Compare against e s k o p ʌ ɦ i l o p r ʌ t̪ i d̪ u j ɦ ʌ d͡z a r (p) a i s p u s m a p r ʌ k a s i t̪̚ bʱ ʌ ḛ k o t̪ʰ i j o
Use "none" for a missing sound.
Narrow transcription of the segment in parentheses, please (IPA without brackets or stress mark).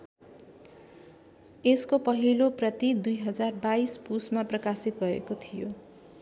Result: b